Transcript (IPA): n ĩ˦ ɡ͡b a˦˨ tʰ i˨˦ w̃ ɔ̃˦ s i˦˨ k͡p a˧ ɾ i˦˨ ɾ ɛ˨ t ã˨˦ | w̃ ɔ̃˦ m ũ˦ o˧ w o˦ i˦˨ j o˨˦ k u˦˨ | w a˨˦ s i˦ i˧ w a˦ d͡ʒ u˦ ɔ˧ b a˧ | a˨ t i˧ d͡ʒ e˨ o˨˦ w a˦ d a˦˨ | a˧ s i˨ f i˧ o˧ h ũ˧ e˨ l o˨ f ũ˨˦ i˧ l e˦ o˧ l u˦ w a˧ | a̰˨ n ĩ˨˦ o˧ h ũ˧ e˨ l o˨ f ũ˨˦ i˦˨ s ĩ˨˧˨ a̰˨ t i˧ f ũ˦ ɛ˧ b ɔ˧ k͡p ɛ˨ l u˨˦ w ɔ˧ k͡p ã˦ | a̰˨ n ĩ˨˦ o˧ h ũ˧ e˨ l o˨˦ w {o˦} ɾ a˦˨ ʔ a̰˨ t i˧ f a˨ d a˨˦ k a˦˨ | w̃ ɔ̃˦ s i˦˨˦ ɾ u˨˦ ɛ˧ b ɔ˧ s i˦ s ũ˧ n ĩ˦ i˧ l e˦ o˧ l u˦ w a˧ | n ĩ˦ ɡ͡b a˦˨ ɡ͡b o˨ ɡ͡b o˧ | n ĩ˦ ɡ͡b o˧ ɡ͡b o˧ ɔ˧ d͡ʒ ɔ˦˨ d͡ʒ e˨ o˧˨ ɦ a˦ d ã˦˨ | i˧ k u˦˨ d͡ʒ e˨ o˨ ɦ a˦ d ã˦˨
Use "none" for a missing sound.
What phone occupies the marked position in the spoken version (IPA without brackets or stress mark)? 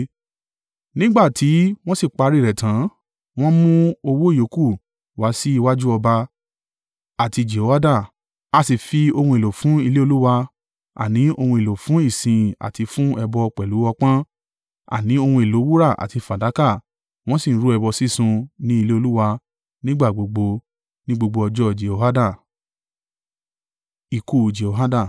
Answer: u˦